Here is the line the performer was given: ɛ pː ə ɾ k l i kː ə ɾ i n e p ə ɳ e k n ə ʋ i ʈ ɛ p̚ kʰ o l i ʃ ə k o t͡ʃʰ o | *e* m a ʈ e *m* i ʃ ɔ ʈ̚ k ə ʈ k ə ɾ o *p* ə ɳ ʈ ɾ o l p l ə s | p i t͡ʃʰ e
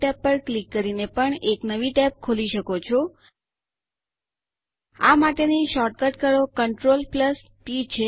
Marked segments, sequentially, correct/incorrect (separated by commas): incorrect, incorrect, incorrect